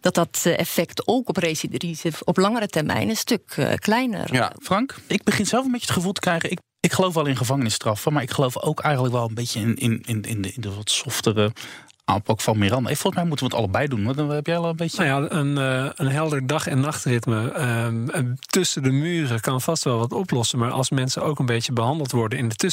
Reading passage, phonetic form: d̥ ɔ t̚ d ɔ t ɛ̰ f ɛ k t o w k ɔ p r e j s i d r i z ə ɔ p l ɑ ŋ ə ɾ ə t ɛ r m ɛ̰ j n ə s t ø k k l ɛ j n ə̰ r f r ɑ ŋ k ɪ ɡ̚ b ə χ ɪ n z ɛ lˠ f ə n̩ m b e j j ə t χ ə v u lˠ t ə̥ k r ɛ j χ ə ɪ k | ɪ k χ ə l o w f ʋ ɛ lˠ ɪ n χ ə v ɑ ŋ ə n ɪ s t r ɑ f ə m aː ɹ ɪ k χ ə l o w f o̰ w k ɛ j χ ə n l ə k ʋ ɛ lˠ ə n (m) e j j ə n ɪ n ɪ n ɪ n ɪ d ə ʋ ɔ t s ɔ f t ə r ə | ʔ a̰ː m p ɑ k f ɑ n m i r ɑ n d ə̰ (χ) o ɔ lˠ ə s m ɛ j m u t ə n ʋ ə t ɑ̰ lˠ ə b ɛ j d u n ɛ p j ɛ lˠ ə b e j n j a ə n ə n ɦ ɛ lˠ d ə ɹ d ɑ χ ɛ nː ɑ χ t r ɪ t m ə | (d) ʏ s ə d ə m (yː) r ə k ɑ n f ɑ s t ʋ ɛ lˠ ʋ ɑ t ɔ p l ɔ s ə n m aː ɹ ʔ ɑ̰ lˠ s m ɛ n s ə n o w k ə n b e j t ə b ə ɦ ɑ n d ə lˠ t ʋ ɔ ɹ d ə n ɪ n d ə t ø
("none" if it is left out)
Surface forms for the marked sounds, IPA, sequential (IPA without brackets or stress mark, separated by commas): b, f, t, yː